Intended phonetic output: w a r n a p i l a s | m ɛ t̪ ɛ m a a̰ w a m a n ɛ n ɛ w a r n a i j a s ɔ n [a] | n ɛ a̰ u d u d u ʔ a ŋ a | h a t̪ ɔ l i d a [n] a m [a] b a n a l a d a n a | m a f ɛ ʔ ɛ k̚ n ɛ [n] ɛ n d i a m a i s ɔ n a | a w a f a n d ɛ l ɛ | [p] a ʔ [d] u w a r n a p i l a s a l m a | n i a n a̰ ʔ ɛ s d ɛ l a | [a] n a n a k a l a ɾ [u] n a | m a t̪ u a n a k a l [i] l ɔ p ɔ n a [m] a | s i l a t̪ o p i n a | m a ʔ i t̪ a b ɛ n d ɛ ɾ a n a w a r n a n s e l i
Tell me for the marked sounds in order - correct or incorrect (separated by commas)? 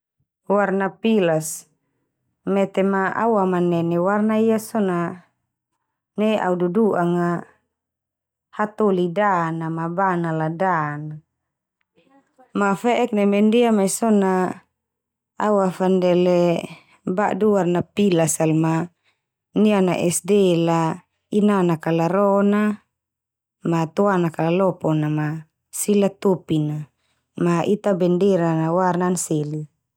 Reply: correct, correct, correct, incorrect, incorrect, correct, incorrect, incorrect, incorrect, correct